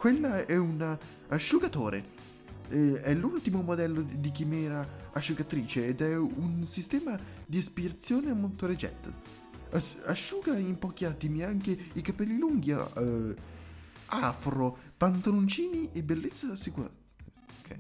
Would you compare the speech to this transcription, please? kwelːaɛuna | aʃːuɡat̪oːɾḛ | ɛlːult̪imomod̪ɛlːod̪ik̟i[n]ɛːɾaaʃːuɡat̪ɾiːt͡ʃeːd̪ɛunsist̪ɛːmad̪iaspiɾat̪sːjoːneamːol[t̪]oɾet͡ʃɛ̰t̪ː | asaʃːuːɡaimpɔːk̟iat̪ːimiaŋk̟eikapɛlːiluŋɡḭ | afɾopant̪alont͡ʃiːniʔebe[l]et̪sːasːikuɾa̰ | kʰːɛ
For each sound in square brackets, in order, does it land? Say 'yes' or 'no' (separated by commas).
no, yes, no